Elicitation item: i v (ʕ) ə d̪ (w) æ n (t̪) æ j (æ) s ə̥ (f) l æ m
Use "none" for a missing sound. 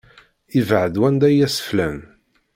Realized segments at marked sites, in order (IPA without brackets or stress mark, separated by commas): ʕ, w, d̪, æ, f